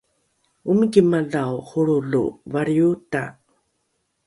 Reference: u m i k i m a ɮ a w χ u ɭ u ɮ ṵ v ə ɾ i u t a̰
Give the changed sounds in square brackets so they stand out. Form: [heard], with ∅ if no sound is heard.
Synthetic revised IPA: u m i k i m a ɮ a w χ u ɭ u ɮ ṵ v [a] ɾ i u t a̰